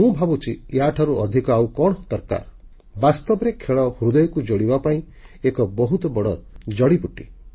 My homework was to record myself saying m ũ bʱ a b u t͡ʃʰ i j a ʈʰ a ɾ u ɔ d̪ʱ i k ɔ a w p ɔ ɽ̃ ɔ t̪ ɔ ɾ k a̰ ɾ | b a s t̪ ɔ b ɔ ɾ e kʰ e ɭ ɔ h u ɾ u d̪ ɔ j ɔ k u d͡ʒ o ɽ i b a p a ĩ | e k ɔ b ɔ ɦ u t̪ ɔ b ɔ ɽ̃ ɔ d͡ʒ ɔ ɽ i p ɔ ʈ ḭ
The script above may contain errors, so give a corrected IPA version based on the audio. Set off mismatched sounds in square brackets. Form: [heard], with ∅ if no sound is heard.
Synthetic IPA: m ũ bʱ a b u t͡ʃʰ i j a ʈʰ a ɾ u ɔ d̪ʱ i k ɔ a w [k] ɔ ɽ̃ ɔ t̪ ɔ ɾ k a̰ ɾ | b a s t̪ ɔ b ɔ ɾ e kʰ e ɭ ɔ h u ɾ u d̪ ɔ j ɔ k u d͡ʒ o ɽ i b a p a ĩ | e k ɔ b ɔ ɦ u t̪ ɔ b ɔ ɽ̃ ɔ d͡ʒ ɔ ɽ i p [u] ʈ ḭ

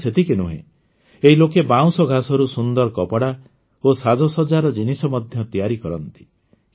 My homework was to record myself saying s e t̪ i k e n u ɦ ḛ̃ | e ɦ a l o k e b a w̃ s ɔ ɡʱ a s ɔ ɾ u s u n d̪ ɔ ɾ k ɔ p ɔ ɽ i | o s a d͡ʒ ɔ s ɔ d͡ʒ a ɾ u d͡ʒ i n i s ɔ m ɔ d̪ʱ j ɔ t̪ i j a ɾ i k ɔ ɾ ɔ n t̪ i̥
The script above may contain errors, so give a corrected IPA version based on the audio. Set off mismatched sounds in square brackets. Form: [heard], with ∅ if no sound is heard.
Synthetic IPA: s e t̪ i k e n u ɦ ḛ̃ | e ɦ [i] l o k e b a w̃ s ɔ ɡʱ a s ɔ ɾ u s u n d̪ ɔ ɾ k ɔ p ɔ ɽ [a] | o s a d͡ʒ ɔ s ɔ d͡ʒ a ɾ [ɔ] d͡ʒ i n i s ɔ m ɔ d̪ʱ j ɔ t̪ i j a ɾ i k ɔ ɾ ɔ n t̪ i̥

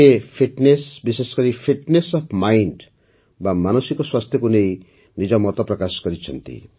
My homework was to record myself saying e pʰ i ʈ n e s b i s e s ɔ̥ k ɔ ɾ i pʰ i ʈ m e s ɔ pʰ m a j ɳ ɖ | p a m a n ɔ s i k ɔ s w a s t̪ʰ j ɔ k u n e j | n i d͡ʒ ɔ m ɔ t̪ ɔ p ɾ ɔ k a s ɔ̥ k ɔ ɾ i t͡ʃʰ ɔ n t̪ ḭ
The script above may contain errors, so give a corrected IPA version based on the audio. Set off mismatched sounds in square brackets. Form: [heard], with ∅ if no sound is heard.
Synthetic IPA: e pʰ i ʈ n e s b i s e s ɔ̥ k ɔ ɾ i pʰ i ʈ [n] e s ɔ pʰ m a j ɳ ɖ | [b] a m a n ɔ s i k ɔ s w a s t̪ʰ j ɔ k u n e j | n i d͡ʒ ɔ m ɔ t̪ ɔ p ɾ ɔ k a s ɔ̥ k ɔ ɾ i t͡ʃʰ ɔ n t̪ ḭ

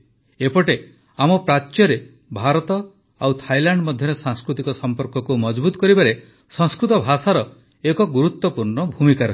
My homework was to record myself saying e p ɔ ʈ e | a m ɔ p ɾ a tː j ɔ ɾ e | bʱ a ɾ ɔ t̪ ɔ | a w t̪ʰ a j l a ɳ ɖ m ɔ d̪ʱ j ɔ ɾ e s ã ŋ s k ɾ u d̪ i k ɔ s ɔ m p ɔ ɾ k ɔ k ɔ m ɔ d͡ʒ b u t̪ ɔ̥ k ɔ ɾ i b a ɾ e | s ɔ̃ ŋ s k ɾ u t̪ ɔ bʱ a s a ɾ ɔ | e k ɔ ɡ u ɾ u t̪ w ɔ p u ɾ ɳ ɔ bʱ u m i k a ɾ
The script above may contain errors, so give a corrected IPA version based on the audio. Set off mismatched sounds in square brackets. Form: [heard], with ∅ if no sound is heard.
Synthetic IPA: e p ɔ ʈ e | a m ɔ p ɾ a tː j ɔ ɾ e | bʱ a ɾ ɔ t̪ ɔ | a w t̪ʰ a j l a ɳ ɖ m ɔ d̪ʱ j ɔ ɾ e s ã ŋ s k ɾ u [t̪] i k ɔ s ɔ m p ɔ ɾ k ɔ k [u] m ɔ d͡ʒ b u t̪ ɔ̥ k ɔ ɾ i b a ɾ e | s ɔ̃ ŋ s k ɾ u t̪ ɔ bʱ a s a ɾ ɔ | e k ɔ ɡ u ɾ u t̪ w ɔ p u ɾ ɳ ɔ bʱ u m i k a ɾ

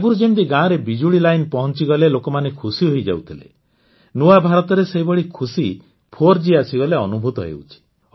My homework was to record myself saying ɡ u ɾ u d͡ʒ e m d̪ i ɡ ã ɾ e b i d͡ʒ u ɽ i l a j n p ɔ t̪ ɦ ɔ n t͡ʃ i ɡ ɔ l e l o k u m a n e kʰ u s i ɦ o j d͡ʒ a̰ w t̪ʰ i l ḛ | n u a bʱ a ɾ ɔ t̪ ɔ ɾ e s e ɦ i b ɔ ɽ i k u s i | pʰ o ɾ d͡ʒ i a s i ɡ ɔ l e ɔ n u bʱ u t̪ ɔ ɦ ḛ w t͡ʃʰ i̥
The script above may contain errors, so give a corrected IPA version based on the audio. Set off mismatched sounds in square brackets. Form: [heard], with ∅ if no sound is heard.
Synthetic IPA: ɡ u ɾ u d͡ʒ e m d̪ i ɡ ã ɾ e b i d͡ʒ u ɽ i l a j n p ɔ [∅] ɦ ɔ n t͡ʃ i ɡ ɔ l e l o k [ɔ] m a n e kʰ u s i ɦ o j d͡ʒ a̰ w t̪ʰ i l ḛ | n u a bʱ a ɾ ɔ t̪ ɔ ɾ e s e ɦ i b ɔ ɽ i [kʰ] u s i | pʰ o ɾ d͡ʒ i a s i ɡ ɔ l e ɔ n u bʱ u t̪ ɔ ɦ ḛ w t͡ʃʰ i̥

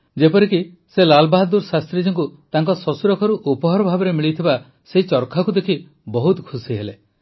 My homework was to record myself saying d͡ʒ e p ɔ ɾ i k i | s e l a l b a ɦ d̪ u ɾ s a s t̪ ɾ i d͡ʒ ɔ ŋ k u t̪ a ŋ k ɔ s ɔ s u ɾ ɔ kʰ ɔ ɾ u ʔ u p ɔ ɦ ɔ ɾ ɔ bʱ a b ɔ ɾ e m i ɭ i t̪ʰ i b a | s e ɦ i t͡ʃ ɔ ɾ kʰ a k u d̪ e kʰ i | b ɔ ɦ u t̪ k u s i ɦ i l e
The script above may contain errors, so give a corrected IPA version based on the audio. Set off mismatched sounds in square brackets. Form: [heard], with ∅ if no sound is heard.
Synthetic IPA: d͡ʒ e p ɔ ɾ i k i | s e l a l b a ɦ d̪ u ɾ s a s t̪ ɾ i d͡ʒ ɔ ŋ k u t̪ a ŋ k ɔ s ɔ s u ɾ ɔ kʰ ɔ ɾ u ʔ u p ɔ ɦ ɔ ɾ ɔ bʱ a b ɔ ɾ e m i ɭ i t̪ʰ i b a | s e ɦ i t͡ʃ ɔ ɾ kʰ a k u d̪ e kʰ i | b ɔ ɦ u t̪ [kʰ] u s i ɦ [e] l e

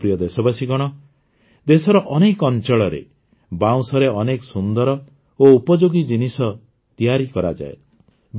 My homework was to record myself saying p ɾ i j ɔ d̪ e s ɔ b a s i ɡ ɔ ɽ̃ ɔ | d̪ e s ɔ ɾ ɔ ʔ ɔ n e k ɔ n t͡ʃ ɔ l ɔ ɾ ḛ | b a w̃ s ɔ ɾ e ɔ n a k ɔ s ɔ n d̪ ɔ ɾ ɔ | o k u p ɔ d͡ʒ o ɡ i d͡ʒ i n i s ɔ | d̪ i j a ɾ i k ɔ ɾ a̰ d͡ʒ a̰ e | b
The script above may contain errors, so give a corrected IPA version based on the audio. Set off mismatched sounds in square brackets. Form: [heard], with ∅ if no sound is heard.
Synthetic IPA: p ɾ i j ɔ d̪ e s ɔ b a s i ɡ ɔ ɽ̃ ɔ | d̪ e s ɔ ɾ ɔ ʔ ɔ n e k ɔ n t͡ʃ ɔ [ɭ] ɔ ɾ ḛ | b a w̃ s ɔ ɾ e ɔ n [e] k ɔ s [u] n d̪ ɔ ɾ ɔ | o [∅] u p ɔ d͡ʒ o ɡ i d͡ʒ i n i s ɔ | [t̪] i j a ɾ i k ɔ ɾ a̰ d͡ʒ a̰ e | b

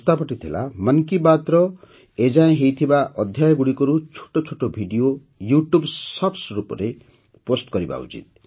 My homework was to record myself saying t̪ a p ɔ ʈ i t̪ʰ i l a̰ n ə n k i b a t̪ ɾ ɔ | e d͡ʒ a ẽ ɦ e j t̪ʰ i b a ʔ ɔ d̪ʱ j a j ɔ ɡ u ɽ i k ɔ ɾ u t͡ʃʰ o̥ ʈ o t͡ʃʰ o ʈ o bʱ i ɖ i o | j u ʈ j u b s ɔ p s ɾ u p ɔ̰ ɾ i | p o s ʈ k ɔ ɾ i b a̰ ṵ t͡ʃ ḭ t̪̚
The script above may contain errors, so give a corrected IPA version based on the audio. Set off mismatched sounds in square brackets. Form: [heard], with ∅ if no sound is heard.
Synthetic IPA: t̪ a p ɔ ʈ i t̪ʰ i l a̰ [m] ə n k i b a t̪ ɾ ɔ | e d͡ʒ a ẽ ɦ e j t̪ʰ i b a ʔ ɔ d̪ʱ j a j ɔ ɡ u ɽ i k ɔ ɾ u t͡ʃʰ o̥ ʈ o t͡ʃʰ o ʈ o bʱ i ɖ i o | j u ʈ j u b s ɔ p s ɾ u p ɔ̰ ɾ [e] | p o s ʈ k ɔ ɾ i b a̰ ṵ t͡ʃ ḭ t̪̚

